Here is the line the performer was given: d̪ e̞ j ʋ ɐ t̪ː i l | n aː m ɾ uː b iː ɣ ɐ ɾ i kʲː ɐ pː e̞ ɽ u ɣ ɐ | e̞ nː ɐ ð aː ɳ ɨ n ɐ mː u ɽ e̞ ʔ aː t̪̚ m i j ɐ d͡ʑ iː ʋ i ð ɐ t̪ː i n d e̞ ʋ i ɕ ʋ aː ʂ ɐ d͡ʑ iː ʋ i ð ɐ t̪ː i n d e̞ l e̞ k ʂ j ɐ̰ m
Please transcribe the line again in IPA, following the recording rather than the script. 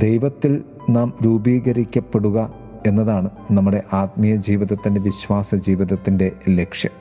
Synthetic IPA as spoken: d̪ e̞ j ʋ ɐ t̪ː i l | n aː m ɾ uː b iː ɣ ɐ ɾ i kʲː ɐ pː e̞ ɽ u ɣ ɐ | e̞ nː ɐ ð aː ɳ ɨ n ɐ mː u ɽ e̞ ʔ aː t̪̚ m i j ɐ d͡ʑ iː ʋ i ð ɐ t̪ː i n d e̞ ʋ i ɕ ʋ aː s ɐ d͡ʑ iː ʋ i ð ɐ t̪ː i n d e̞ l e̞ k ʂ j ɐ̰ m